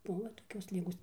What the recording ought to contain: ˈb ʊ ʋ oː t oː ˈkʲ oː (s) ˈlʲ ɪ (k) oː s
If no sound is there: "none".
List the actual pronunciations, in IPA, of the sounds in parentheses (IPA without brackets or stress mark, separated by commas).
s, ɡ